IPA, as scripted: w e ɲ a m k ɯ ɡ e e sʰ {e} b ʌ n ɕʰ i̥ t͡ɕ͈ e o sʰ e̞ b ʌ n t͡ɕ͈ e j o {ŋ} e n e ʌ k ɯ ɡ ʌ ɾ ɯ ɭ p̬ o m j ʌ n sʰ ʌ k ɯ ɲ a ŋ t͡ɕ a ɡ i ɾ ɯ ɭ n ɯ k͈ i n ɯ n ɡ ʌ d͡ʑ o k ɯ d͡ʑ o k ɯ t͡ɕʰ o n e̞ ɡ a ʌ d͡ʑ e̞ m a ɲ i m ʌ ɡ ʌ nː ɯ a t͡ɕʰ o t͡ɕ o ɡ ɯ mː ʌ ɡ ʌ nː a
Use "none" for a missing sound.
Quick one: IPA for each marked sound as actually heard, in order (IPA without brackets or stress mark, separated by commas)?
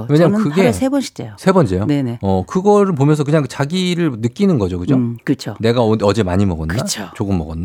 e, n